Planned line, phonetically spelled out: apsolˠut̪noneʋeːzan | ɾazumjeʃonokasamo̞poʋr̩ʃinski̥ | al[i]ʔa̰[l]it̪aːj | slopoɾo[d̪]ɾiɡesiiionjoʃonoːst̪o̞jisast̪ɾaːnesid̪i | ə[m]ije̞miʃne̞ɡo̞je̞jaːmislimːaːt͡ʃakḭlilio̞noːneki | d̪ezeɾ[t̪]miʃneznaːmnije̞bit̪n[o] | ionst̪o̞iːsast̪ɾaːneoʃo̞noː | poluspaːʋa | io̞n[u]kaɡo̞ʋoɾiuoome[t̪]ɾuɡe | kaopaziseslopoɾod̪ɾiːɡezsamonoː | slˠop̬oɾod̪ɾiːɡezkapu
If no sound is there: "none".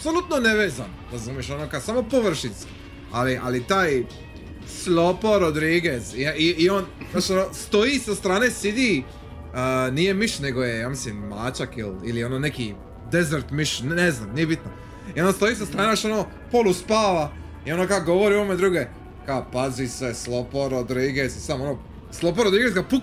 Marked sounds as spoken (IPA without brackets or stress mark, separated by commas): i, l, d̪, n, t̪, o, o, d̪